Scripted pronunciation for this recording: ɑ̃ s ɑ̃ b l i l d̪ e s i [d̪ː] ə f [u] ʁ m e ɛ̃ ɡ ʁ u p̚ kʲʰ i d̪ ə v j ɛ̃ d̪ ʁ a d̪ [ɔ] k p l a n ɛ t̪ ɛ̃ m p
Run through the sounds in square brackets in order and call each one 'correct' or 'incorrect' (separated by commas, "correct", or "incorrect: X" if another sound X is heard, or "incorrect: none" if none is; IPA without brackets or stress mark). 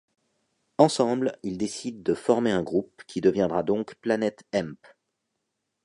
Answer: correct, incorrect: ɔ, incorrect: ɔ̃